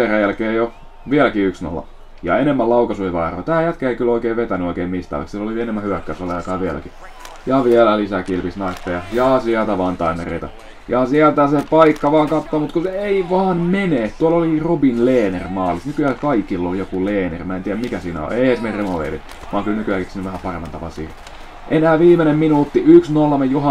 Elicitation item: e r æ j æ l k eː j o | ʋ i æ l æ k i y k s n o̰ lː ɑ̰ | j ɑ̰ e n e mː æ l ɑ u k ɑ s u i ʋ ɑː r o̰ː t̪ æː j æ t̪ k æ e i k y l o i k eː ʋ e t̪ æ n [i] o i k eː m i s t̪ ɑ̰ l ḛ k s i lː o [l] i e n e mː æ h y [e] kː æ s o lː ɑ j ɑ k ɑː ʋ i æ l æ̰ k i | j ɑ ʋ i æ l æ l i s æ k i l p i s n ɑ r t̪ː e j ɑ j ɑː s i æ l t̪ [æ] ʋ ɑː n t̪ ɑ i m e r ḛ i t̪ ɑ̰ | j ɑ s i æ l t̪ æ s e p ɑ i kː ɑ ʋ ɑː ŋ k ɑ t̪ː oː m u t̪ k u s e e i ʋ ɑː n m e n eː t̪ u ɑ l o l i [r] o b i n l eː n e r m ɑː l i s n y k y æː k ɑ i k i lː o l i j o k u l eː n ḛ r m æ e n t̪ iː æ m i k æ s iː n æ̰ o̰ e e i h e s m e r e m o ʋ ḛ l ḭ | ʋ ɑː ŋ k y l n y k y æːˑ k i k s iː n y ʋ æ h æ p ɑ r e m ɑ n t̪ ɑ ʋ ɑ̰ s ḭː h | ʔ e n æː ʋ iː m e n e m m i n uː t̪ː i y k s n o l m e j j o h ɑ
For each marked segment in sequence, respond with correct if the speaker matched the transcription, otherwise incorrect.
incorrect: y, correct, incorrect: æ, correct, correct

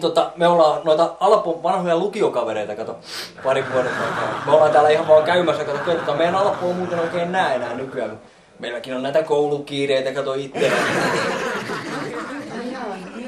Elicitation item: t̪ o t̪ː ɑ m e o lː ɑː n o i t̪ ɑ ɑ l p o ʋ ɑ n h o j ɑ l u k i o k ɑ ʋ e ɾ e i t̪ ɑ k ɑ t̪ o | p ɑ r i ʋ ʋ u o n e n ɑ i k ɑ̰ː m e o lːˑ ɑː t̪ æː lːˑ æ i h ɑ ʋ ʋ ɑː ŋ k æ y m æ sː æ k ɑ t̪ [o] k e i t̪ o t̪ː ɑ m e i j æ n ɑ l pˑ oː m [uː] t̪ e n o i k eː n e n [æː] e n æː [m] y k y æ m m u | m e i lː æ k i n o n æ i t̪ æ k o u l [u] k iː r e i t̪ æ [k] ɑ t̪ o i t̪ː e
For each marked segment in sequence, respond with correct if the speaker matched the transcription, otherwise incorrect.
correct, correct, correct, incorrect: n, correct, correct

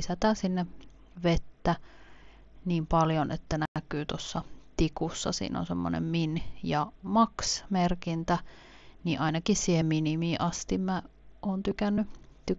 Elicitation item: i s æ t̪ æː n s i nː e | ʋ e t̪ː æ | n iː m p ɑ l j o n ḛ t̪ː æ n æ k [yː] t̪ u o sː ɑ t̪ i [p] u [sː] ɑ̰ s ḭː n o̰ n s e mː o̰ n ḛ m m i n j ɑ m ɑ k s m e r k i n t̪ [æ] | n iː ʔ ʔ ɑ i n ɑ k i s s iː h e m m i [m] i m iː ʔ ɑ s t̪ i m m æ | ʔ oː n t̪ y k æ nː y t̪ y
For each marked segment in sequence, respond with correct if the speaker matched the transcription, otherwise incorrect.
correct, incorrect: k, correct, correct, incorrect: n

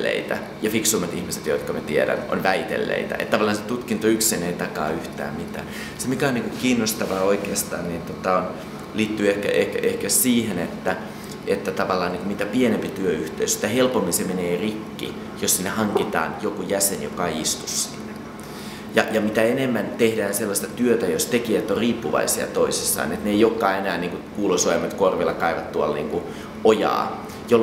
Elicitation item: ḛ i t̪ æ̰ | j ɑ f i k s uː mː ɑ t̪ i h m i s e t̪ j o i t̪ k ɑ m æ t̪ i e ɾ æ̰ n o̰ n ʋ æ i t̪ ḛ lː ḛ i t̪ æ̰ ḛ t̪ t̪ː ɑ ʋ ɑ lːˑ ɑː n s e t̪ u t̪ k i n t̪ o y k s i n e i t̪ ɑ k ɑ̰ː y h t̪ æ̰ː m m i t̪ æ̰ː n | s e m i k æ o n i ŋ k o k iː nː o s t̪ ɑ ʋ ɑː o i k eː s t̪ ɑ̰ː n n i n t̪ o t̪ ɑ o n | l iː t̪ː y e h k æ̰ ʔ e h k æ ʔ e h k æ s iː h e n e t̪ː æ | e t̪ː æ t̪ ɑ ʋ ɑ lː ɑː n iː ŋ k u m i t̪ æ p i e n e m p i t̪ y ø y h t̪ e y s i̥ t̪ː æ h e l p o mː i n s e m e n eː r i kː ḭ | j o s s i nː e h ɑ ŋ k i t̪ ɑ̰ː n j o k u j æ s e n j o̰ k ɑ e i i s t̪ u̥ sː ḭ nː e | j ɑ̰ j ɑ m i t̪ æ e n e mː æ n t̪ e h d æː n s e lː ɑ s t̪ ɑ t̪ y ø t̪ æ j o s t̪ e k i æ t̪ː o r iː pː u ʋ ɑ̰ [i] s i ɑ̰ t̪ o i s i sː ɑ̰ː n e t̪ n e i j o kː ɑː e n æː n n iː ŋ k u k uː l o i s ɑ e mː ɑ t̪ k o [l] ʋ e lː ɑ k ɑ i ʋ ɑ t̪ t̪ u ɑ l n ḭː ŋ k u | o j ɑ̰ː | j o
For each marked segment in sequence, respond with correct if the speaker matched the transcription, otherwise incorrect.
correct, incorrect: r

